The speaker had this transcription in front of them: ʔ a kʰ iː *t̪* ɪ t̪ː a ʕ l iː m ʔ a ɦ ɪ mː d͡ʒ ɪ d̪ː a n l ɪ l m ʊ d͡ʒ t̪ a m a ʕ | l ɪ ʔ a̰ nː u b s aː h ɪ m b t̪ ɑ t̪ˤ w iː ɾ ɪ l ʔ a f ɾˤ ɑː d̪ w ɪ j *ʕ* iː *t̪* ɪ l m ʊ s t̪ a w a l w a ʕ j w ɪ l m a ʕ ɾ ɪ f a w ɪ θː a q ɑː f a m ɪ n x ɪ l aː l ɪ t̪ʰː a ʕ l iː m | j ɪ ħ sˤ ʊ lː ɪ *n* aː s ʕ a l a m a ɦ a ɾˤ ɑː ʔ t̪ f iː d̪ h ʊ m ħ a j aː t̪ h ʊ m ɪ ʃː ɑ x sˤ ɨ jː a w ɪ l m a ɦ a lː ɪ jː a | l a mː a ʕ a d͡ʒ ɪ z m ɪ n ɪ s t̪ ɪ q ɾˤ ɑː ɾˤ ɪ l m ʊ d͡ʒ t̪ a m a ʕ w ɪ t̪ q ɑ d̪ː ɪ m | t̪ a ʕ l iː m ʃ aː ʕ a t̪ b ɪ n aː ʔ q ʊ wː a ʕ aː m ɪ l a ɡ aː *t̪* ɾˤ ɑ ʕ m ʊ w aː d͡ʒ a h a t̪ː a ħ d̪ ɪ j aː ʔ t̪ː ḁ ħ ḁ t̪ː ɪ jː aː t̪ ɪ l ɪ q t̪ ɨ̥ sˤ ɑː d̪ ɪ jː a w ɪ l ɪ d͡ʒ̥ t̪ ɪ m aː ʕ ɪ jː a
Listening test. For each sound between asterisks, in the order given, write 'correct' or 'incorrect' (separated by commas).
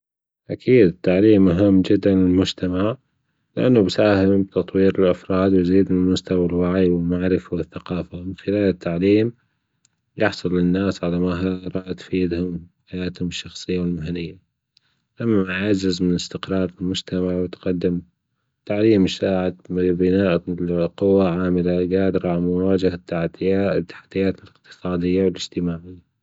incorrect, incorrect, incorrect, incorrect, incorrect